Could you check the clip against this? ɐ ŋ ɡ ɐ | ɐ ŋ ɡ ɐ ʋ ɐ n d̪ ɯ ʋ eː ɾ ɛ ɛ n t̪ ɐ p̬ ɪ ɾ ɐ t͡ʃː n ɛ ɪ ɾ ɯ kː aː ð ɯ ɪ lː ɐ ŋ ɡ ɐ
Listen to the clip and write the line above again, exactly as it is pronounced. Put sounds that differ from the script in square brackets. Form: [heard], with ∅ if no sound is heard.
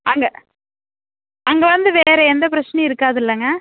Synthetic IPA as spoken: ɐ ŋ ɡ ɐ | ɐ ŋ ɡ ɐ ʋ ɐ n d̪ ɯ ʋ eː ɾ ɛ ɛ n [d̪] ɐ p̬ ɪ ɾ ɐ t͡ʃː n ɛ ɪ ɾ ɯ kː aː ð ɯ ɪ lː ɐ ŋ ɡ ɐ